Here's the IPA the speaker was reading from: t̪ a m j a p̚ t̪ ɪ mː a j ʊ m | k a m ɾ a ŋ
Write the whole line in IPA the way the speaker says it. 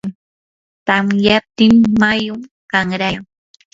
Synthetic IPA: t̪ a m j a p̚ t̪ ɪ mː a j ʊ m | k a ŋ ɾ a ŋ